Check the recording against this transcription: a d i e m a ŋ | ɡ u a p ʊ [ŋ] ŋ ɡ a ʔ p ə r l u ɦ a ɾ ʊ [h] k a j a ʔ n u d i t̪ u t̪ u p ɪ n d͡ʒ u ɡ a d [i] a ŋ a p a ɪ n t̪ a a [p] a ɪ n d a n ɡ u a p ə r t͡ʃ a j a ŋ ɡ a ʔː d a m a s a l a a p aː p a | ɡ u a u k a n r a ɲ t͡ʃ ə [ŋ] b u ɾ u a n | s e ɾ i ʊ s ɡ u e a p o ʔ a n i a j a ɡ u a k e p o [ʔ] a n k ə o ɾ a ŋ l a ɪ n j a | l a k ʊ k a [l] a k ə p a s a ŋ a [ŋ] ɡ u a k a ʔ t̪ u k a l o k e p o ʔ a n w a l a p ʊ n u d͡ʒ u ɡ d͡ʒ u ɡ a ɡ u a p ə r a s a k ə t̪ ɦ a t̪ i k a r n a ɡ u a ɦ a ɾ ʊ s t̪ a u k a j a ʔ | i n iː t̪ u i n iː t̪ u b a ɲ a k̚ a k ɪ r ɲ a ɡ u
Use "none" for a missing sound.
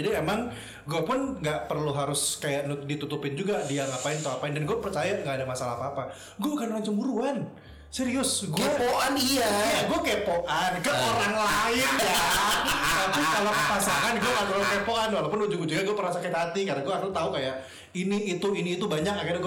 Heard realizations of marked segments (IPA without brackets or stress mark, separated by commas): n, s, i, p, m, ʔ, l, n